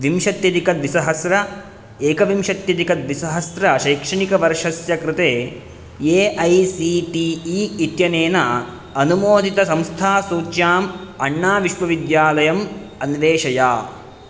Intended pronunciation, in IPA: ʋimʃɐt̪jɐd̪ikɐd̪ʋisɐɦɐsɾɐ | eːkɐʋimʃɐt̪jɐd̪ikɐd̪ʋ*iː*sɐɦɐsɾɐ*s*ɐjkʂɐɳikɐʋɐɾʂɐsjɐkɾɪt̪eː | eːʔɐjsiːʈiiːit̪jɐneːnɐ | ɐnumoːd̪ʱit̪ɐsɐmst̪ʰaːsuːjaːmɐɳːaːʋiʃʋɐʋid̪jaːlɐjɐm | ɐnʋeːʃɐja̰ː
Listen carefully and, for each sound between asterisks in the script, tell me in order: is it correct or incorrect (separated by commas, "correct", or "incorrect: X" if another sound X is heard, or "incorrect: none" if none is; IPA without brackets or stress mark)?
incorrect: i, incorrect: ʃ